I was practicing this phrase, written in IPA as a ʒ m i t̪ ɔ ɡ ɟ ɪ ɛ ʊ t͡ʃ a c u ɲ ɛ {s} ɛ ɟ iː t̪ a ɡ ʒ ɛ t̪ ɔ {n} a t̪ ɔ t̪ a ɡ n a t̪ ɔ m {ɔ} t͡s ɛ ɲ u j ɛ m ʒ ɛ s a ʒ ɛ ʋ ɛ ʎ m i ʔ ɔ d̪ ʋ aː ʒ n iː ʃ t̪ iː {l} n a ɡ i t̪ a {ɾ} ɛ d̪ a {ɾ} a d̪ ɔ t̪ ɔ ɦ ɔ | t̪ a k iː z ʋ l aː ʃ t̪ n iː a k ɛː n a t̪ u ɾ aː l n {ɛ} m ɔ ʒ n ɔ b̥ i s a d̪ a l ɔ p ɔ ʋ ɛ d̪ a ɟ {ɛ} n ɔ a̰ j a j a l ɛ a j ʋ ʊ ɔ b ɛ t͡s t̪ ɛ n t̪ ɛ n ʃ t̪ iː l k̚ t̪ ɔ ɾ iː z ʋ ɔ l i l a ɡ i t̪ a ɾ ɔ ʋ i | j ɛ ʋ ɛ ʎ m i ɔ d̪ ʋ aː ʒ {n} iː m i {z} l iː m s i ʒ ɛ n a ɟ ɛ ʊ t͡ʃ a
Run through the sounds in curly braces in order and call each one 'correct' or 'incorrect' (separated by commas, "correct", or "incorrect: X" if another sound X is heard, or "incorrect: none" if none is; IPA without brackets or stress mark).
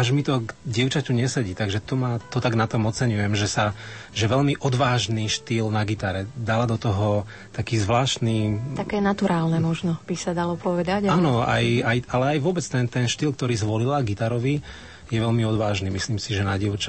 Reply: correct, incorrect: m, correct, correct, correct, incorrect: l, correct, incorrect: a, correct, incorrect: s